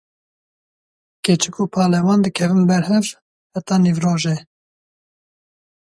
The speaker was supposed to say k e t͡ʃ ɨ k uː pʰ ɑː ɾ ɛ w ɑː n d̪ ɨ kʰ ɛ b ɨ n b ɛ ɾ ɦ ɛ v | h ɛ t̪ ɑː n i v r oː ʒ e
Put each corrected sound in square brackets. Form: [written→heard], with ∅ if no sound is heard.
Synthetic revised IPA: k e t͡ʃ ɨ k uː pʰ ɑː [ɾ→l] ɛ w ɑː n d̪ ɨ kʰ ɛ [b→v] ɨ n b ɛ ɾ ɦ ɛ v | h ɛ t̪ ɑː n i v r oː ʒ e